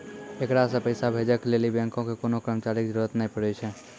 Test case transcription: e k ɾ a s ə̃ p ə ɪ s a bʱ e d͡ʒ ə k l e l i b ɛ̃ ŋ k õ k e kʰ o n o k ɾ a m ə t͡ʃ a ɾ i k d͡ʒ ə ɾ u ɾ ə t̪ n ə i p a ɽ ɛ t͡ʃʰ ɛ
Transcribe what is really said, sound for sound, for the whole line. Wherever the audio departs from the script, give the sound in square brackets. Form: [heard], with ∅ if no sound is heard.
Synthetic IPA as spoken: e k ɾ a s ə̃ p ə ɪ s a bʱ e d͡ʒ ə k l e l i b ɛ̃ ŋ k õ k e [k] o n o k ɾ [ə] m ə t͡ʃ a ɾ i k d͡ʒ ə ɾ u ɾ ə t̪ n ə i p [ə] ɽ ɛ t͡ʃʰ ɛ